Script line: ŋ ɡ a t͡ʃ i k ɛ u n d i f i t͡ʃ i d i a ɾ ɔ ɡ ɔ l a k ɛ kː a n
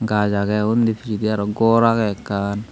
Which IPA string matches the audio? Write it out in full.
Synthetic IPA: ŋ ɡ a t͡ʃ a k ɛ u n d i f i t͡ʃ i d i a ɾ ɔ ɡ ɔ ɾ a k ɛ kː a n